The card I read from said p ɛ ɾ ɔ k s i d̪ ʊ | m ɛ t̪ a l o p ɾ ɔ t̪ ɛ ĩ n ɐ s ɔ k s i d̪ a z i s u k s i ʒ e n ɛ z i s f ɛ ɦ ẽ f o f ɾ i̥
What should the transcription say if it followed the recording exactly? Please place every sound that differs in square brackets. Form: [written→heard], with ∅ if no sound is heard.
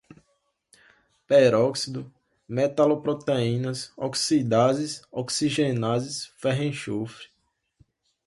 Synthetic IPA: p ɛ ɾ ɔ k s i d̪ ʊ | m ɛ t̪ a l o p ɾ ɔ t̪ [ɛ→e] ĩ n ɐ s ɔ k s i d̪ a z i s [u→ɔ] k s i ʒ e n [ɛ→a] z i s f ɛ ɦ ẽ [f→ʃ] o f ɾ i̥